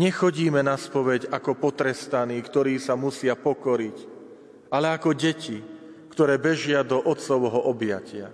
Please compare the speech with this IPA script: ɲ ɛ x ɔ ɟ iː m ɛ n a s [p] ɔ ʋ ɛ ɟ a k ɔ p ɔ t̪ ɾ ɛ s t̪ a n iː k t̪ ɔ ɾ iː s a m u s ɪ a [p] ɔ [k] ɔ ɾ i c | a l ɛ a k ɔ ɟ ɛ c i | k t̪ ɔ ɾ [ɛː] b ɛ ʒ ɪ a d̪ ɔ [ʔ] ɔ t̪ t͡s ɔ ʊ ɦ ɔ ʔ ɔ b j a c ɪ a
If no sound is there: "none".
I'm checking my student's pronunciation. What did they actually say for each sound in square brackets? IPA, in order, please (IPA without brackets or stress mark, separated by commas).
p, p, k, ɛː, ʔ